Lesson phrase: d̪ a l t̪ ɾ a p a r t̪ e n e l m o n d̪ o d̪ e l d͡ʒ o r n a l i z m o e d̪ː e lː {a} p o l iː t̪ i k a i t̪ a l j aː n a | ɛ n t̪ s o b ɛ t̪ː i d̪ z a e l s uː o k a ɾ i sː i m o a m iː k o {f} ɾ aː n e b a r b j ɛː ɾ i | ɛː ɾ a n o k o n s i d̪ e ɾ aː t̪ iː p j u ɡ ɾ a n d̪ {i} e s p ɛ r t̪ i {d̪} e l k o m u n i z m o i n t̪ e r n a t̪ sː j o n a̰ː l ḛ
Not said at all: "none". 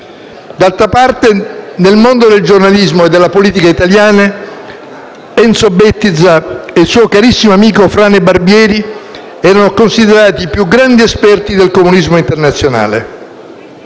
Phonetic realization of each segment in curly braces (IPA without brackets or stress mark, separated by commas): a, f, i, d̪